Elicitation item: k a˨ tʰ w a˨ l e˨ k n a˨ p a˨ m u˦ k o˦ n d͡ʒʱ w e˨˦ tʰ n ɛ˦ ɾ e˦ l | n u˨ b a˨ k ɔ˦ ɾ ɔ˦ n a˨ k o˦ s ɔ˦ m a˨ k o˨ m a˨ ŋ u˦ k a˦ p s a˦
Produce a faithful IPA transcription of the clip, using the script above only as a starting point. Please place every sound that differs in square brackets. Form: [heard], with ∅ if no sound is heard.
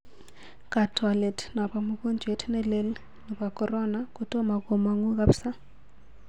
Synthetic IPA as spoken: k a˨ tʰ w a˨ l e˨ [t] n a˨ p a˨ m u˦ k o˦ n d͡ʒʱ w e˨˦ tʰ n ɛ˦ [l] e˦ l | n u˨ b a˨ k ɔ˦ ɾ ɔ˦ n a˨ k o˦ [t] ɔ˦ m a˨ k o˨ m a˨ ŋ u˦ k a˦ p s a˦